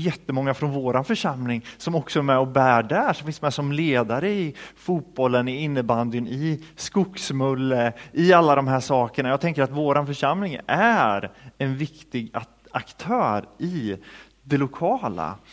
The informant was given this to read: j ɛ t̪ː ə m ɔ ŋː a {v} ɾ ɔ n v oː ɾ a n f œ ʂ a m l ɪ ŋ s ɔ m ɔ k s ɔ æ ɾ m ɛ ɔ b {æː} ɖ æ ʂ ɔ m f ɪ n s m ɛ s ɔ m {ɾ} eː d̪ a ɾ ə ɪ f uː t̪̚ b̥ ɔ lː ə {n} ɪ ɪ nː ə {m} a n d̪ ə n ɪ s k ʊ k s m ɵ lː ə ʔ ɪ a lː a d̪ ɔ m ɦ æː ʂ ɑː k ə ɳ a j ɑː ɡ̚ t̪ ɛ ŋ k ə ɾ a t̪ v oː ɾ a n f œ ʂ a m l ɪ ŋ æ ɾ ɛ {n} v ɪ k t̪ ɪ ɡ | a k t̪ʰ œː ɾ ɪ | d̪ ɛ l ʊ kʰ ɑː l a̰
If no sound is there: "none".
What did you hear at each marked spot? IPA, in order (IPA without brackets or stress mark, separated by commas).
f, æː, l, n, b, n